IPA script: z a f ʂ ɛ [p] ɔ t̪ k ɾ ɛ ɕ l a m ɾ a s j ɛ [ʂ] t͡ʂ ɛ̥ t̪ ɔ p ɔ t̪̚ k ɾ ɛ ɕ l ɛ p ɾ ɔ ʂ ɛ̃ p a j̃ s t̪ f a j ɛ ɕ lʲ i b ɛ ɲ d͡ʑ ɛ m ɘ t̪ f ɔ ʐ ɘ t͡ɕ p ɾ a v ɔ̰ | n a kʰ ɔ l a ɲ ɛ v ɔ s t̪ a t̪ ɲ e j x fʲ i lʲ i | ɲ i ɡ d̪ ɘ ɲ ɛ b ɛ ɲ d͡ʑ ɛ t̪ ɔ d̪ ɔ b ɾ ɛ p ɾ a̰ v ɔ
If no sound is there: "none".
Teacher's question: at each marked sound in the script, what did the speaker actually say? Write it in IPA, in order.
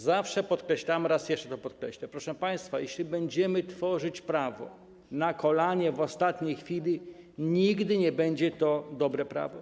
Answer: p, ʂ

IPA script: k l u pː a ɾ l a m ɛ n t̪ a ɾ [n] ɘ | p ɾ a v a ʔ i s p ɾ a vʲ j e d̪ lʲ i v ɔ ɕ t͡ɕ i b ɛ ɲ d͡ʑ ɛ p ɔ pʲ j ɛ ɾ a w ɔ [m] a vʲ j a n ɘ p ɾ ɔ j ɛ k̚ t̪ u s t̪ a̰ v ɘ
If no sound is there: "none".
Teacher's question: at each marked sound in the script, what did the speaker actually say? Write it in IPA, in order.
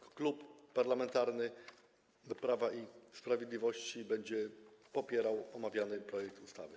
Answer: n, m

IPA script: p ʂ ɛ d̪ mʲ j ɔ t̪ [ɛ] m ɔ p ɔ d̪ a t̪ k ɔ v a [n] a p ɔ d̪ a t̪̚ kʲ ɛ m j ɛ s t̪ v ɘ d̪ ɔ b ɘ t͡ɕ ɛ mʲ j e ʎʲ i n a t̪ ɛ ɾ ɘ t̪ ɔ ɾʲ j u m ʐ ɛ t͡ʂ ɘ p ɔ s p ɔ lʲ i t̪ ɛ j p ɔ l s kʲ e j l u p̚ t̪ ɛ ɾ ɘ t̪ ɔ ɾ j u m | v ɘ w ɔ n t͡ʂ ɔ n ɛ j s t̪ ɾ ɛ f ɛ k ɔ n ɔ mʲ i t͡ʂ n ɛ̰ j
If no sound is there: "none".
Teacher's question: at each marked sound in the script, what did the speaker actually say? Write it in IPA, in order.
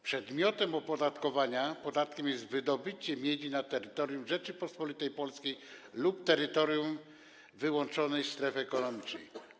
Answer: ɛ, ɲ

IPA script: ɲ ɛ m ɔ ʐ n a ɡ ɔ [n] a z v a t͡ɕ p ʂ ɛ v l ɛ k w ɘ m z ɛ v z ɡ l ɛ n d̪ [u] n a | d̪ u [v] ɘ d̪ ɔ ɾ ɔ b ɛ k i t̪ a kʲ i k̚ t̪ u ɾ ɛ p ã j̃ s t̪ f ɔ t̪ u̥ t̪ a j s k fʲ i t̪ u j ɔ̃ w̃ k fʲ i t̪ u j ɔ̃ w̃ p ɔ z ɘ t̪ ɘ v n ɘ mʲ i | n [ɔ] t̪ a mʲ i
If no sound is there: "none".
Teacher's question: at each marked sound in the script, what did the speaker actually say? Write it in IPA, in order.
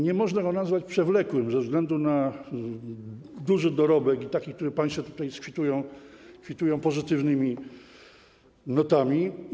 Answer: n, u, ʐ, ɔ

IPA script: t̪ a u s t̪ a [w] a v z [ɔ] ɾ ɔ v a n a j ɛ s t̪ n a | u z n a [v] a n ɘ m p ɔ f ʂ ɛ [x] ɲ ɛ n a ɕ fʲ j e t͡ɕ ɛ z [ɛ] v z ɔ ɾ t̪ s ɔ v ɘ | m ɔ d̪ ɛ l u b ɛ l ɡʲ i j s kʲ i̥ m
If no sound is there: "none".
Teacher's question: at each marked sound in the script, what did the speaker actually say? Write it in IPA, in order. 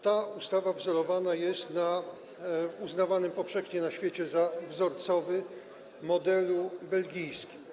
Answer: v, ɔ, v, x, a

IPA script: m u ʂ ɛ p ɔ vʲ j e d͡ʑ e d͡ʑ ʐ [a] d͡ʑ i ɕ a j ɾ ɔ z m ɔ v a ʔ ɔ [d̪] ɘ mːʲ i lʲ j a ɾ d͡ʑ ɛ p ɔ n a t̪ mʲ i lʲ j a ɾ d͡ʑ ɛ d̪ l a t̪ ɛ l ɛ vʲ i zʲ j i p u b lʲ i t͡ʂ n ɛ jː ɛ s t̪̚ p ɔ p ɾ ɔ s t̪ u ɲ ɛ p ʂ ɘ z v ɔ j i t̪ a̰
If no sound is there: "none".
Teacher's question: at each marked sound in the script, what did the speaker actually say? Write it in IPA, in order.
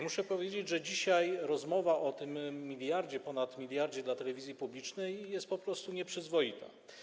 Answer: ɛ, t̪

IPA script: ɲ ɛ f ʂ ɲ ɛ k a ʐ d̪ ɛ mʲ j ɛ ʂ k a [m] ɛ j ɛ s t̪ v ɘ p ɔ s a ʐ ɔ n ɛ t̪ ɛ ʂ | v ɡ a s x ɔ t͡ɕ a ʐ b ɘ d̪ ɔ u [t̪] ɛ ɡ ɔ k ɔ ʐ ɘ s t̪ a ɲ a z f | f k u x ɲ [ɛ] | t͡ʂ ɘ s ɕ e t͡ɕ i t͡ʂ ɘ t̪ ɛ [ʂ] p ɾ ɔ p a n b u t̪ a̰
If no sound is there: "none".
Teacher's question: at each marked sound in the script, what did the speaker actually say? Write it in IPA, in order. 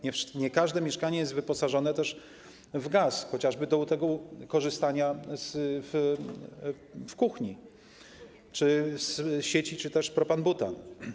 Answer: ɲ, t̪, i, ʂ

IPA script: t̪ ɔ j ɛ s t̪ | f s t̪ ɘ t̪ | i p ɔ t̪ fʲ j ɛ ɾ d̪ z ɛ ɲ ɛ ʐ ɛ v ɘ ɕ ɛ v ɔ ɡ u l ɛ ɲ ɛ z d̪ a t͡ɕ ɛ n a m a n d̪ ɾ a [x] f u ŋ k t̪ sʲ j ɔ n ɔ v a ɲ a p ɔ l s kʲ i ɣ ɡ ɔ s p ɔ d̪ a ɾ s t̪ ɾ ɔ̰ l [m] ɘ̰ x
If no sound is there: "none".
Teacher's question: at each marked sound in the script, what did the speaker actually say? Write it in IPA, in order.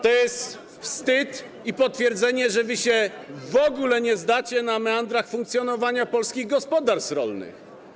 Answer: x, n

